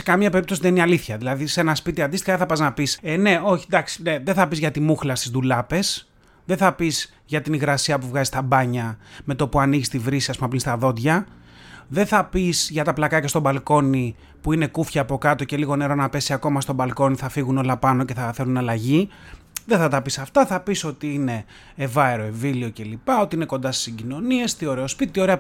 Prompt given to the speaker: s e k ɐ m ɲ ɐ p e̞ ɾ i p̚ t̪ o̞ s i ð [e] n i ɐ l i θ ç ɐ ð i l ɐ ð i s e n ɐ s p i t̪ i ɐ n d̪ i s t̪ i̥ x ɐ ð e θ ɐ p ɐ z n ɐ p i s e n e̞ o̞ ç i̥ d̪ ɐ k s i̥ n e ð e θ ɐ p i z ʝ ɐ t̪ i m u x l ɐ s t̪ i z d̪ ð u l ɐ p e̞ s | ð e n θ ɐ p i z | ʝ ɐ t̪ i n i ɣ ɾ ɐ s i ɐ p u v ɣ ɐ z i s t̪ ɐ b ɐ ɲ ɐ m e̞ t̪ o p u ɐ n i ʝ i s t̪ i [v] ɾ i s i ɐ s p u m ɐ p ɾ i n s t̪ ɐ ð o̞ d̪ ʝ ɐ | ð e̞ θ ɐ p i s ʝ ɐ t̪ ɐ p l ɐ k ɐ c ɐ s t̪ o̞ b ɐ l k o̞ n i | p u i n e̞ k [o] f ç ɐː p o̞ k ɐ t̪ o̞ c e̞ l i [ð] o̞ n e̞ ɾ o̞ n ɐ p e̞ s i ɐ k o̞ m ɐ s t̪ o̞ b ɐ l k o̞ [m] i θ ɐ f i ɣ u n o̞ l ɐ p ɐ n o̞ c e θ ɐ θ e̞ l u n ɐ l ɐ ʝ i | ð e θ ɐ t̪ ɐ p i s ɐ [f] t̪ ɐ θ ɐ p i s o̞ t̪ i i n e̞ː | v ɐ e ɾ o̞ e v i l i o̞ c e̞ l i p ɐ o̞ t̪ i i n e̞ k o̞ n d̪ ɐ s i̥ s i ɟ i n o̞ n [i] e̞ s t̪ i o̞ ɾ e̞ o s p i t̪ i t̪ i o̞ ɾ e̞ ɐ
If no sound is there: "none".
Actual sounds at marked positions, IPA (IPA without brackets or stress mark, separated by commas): e, v, u, ɣ, n, f, i